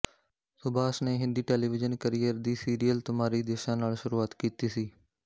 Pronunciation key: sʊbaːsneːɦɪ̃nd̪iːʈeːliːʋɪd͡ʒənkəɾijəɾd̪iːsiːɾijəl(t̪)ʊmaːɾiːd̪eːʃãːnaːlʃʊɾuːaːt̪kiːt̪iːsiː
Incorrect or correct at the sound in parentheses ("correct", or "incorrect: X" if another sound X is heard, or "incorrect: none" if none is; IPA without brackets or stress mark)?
correct